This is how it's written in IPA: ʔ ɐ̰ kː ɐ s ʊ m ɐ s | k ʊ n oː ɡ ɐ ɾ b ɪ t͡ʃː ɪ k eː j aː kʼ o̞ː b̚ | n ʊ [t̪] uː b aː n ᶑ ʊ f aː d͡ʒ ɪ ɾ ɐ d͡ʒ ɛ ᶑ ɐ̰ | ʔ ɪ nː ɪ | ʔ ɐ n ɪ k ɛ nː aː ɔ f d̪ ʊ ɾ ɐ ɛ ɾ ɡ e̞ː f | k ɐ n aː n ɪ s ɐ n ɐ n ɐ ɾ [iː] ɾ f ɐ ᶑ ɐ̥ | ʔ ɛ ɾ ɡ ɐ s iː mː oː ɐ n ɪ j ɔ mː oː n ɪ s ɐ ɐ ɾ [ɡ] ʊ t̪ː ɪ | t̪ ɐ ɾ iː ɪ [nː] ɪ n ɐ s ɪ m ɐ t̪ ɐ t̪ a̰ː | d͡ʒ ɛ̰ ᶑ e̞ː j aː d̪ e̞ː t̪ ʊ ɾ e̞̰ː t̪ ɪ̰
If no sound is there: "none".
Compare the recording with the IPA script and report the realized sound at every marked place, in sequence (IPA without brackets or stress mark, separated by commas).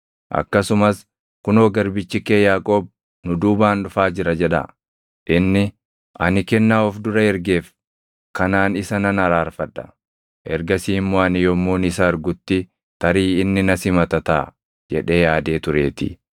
d̪, aː, ɡ, nː